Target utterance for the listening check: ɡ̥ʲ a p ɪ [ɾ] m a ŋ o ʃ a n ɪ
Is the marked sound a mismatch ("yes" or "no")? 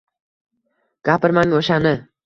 no